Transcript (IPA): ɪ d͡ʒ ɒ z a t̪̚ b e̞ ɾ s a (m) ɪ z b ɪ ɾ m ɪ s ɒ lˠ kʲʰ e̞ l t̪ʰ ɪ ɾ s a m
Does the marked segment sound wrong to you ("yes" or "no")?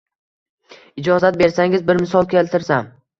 yes